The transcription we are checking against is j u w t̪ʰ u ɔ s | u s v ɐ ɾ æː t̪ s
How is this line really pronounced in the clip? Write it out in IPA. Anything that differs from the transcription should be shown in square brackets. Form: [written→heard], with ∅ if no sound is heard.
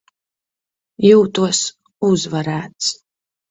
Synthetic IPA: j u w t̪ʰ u ɔ s | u [s→z] v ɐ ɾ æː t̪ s

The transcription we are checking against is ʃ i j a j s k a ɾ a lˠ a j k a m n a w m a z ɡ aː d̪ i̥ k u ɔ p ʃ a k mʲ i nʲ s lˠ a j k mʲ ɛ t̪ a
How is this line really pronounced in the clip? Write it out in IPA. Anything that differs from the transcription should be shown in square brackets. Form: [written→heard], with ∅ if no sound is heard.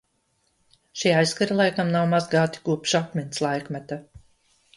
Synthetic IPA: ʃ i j a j s k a ɾ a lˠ a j k a m n a w m a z ɡ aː [d̪→t̪] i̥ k u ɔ p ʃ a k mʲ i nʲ s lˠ a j k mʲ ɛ t̪ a

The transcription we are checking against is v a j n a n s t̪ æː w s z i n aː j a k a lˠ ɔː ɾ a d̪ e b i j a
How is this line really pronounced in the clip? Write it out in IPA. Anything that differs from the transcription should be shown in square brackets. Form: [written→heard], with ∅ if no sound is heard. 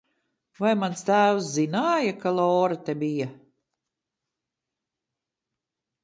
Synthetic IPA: v a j [n→m] a n s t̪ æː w s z i n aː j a k a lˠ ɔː ɾ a [d̪→t̪] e b i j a

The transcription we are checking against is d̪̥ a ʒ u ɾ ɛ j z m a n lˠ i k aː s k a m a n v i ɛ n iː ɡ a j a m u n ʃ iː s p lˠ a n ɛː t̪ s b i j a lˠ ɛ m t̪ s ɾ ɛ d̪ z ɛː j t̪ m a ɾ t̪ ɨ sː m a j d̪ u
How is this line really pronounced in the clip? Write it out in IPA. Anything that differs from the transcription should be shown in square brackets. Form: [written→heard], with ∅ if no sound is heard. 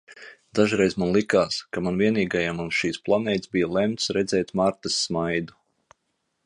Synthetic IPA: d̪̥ a ʒ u ɾ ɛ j z m a n lˠ i k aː s k a m a n v i ɛ n iː ɡ a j a m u n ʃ iː s p lˠ a n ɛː t̪ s b i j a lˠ ɛ m t̪ s ɾ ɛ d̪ z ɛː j t̪ m a ɾ t̪ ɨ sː m a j d̪ u

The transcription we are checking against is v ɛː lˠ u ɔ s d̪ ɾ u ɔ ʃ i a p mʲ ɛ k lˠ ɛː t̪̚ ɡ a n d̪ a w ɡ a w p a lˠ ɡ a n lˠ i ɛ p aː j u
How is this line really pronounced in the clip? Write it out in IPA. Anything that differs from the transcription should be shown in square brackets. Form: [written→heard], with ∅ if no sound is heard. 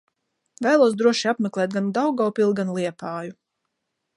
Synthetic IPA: v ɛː lˠ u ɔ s d̪ ɾ u ɔ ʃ i a p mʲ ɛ k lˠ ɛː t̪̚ ɡ a n d̪ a w ɡ a w p [a→i] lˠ ɡ a n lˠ i ɛ p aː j u

